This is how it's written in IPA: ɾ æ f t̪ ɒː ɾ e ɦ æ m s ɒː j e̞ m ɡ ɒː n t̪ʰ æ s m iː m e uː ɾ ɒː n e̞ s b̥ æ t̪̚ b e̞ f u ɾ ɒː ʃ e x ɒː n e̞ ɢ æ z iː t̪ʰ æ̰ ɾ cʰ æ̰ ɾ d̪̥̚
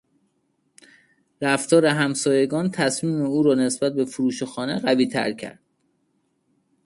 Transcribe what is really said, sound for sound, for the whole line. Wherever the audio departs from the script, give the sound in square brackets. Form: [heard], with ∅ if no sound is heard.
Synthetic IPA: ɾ æ f t̪ ɒː ɾ e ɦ æ m s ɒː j e̞ [∅] ɡ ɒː n t̪ʰ æ s m iː m e uː ɾ ɒː n e̞ s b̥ æ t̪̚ b e̞ f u ɾ [uː] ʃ e x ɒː n e̞ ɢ æ [v] iː t̪ʰ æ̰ ɾ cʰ æ̰ ɾ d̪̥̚